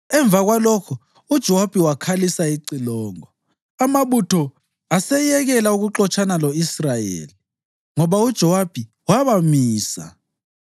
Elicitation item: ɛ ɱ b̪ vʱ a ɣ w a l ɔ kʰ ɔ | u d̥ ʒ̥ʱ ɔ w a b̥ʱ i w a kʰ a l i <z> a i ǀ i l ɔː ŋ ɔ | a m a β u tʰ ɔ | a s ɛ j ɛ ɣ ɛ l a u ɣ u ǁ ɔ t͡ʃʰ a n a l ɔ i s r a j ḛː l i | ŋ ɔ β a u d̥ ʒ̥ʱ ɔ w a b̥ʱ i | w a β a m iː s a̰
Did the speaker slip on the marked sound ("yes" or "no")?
yes